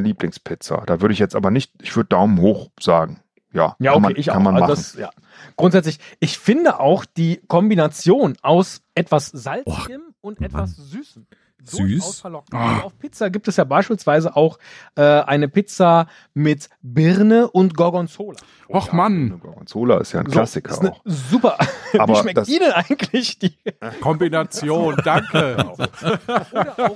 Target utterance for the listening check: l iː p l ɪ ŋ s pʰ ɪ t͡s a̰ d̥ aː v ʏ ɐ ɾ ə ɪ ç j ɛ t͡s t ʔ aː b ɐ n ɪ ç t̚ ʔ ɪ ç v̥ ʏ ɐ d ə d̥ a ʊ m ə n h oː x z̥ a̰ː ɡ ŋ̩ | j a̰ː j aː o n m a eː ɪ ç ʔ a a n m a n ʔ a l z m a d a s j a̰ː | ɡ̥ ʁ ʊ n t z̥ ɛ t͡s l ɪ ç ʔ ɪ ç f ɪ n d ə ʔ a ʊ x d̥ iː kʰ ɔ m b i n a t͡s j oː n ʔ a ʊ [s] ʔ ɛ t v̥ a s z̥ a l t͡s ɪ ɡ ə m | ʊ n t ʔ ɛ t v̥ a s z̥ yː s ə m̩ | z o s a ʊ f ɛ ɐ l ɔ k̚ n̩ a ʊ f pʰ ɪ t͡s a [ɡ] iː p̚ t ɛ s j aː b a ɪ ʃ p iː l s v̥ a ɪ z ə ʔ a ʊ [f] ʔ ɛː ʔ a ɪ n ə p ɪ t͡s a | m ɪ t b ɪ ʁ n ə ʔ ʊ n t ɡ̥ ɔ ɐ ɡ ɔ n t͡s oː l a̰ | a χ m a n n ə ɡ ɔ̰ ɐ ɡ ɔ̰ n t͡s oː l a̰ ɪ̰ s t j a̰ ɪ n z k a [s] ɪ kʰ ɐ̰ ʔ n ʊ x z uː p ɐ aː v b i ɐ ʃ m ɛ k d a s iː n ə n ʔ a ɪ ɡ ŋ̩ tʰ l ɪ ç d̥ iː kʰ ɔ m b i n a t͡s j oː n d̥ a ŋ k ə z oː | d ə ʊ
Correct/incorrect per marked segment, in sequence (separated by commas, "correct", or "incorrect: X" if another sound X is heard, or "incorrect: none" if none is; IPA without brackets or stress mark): correct, correct, incorrect: x, correct